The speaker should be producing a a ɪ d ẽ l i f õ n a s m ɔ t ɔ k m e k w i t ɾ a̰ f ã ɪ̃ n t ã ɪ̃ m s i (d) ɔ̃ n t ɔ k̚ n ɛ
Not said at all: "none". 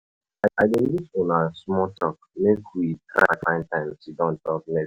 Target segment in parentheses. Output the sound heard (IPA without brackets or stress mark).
d